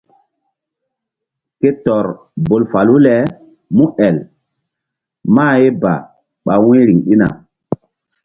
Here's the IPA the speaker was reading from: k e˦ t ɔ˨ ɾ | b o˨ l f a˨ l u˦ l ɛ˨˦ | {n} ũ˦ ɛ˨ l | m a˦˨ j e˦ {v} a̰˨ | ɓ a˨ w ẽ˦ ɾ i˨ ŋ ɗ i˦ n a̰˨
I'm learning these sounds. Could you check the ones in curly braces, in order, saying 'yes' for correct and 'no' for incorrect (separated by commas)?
no, no